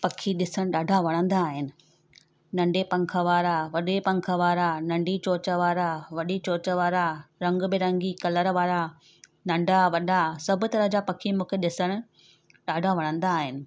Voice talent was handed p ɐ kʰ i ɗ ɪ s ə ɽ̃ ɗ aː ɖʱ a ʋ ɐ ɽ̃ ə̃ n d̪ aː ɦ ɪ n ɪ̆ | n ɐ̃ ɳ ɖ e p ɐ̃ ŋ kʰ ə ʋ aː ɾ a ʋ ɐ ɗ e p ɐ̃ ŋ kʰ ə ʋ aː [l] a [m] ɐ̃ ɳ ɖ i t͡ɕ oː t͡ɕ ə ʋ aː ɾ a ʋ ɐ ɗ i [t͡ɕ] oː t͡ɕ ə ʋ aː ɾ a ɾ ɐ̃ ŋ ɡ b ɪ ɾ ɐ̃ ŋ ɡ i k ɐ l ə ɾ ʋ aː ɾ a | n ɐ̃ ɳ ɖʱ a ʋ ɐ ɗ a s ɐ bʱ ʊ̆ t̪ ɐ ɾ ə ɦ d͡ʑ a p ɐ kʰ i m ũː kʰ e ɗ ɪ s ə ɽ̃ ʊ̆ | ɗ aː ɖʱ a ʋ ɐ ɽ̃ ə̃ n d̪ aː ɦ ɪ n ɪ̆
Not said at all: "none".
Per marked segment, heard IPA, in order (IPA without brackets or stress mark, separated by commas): ɾ, n, t͡ɕ